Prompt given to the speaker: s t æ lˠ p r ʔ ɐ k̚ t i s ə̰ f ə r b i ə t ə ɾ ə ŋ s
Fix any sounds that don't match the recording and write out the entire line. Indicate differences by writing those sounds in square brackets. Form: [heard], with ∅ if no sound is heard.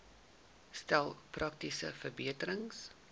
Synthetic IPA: s t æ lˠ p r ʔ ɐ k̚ t i s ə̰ f ə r b i ə t ə ɾ ə ŋ s